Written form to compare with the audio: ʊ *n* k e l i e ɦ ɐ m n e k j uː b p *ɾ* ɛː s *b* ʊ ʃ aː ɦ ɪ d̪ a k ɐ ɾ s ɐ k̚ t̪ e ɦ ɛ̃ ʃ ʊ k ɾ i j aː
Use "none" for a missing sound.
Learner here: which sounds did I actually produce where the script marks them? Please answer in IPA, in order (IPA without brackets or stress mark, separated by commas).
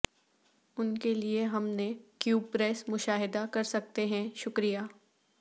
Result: n, ɾ, m